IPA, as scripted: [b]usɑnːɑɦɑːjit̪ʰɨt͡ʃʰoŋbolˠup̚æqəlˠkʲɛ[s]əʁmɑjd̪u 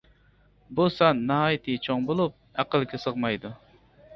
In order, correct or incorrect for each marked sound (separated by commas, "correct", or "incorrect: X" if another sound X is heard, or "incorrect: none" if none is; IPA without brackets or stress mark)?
correct, correct